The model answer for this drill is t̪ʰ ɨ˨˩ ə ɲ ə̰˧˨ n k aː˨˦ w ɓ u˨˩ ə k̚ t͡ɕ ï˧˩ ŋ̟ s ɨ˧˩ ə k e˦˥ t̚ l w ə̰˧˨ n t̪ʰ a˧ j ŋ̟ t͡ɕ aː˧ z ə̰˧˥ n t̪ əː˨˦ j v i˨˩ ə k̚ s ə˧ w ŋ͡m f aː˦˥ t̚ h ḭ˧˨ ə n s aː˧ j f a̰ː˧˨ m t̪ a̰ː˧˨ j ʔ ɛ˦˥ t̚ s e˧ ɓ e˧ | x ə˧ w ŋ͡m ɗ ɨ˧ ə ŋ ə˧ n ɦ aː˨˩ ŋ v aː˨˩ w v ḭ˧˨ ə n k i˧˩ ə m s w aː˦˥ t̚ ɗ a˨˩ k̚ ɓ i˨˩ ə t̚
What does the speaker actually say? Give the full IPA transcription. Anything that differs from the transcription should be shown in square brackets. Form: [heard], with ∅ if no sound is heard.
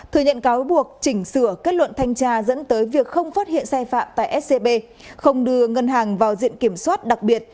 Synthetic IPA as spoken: t̪ʰ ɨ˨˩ ə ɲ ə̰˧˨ n k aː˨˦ w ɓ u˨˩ ə k̚ t͡ɕ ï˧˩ ŋ̟ s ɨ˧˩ ə k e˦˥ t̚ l w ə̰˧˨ n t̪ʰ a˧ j ŋ̟ t͡ɕ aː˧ z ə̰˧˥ n t̪ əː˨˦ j v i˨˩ ə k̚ [x] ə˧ w ŋ͡m f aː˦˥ t̚ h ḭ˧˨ ə n s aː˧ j f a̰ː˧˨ m t̪ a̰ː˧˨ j ʔ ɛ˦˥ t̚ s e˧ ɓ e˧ | x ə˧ w ŋ͡m ɗ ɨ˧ ə ŋ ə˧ n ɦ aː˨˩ ŋ v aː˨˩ w [z] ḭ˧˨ ə n k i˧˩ ə m s w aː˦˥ t̚ ɗ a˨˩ k̚ ɓ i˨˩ ə t̚